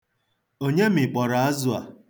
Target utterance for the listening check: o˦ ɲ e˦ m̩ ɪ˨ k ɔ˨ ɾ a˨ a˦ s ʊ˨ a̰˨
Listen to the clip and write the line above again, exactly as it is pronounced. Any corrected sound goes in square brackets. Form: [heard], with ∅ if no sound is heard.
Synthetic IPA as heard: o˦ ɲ e˦ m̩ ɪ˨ [k͡p] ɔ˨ ɾ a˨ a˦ [z] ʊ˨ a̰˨